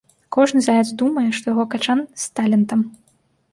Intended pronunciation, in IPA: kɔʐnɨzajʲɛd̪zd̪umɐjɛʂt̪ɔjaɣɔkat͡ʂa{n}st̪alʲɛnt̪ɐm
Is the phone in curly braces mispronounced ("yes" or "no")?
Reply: no